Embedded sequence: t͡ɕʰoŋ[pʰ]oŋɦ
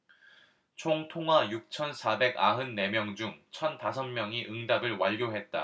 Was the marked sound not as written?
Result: yes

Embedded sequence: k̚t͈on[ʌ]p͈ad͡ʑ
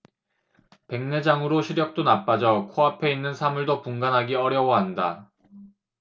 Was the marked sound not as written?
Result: yes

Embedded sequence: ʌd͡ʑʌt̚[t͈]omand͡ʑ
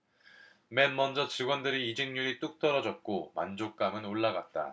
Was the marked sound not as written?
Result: yes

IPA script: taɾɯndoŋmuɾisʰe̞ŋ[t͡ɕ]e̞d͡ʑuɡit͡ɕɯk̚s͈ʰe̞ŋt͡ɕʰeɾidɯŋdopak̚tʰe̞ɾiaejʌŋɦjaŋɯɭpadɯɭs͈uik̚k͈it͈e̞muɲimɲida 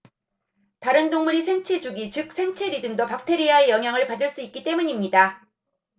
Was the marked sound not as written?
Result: yes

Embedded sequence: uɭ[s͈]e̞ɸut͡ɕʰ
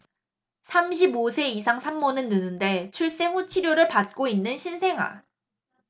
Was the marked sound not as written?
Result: no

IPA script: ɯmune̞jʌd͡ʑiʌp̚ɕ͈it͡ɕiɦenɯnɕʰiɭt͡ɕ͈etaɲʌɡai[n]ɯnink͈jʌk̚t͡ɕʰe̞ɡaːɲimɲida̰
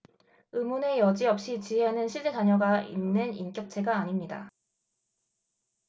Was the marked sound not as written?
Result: yes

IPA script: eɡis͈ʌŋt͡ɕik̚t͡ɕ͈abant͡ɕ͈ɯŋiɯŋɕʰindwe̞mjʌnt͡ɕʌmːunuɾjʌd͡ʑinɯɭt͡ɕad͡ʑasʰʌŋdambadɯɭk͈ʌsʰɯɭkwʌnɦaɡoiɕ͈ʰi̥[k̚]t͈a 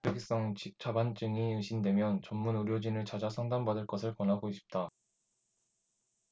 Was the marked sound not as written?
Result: yes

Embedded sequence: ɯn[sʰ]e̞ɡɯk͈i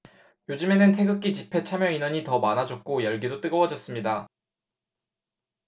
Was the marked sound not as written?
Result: yes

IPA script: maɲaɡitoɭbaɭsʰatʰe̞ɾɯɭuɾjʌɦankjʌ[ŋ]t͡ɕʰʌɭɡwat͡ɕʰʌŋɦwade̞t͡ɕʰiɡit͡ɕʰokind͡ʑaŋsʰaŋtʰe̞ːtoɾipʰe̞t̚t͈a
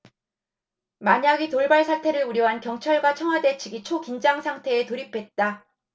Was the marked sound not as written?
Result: no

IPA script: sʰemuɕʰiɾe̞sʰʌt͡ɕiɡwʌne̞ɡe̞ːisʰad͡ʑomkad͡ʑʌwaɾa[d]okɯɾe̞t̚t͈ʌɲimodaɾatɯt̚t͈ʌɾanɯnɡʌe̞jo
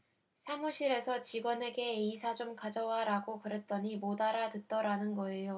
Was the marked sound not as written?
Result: yes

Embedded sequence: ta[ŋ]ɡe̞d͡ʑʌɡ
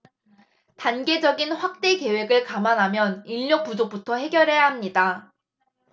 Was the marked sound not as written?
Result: yes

